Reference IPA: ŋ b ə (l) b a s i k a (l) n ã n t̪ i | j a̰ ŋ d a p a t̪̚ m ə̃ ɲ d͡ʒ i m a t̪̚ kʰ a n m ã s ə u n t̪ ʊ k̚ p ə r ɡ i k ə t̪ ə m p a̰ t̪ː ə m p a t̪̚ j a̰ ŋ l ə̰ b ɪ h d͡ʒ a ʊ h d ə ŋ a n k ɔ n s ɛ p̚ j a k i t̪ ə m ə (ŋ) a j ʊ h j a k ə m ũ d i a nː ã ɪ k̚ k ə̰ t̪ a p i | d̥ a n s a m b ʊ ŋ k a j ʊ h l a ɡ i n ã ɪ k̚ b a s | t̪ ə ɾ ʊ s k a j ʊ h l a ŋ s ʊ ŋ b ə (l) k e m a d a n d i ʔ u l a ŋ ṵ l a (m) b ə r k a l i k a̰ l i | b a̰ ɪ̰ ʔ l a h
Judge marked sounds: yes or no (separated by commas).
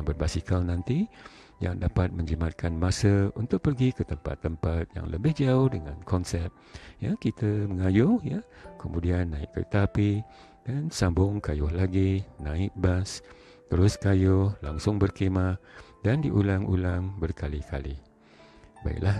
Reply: no, yes, yes, no, no